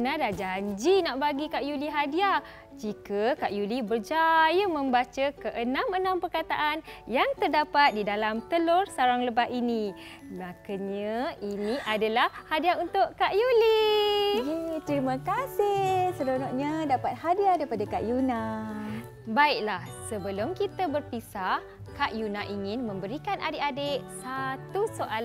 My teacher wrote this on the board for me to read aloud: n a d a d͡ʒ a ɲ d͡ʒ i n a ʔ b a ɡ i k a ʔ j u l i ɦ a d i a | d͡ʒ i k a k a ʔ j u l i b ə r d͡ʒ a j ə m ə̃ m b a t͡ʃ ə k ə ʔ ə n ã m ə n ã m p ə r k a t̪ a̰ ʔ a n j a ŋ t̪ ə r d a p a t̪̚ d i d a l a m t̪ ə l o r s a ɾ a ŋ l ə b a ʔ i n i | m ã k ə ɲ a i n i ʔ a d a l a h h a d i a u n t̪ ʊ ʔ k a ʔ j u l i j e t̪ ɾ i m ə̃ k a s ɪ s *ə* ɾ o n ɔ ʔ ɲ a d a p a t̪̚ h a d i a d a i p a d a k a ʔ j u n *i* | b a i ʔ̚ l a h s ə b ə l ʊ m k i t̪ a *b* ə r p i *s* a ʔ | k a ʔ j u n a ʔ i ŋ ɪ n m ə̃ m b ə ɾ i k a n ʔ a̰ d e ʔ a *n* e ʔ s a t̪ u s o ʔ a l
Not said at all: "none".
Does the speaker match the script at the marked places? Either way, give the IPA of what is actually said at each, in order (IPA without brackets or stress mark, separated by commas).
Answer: ə, a, b, s, d